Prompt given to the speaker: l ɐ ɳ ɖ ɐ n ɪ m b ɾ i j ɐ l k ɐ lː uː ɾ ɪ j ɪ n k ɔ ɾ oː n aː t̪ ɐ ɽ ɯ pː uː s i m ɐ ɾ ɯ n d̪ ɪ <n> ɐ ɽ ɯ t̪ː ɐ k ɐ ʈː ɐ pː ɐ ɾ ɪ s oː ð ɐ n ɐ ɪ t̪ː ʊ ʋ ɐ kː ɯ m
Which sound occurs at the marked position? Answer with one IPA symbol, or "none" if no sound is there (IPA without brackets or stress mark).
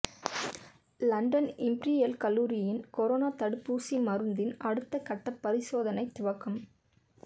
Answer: n